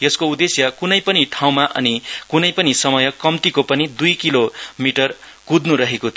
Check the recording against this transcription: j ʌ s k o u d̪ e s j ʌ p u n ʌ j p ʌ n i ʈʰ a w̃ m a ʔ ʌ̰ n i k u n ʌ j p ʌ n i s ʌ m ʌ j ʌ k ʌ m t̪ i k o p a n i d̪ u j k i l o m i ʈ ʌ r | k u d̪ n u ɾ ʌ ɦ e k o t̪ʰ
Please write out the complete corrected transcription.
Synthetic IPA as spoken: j ʌ s k o u d̪ e s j ʌ k u n ʌ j p ʌ n i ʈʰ a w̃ m a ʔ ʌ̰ n i k u n ʌ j p ʌ n i s ʌ m ʌ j ʌ k ʌ m t̪ i k o p ʌ n i d̪ u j k i l o m i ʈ ʌ r | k u d̪ n u ɾ ʌ ɦ e k o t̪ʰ